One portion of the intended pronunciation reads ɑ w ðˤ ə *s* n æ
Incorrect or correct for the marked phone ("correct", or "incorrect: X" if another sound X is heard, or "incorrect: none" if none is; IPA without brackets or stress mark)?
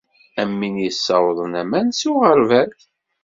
incorrect: none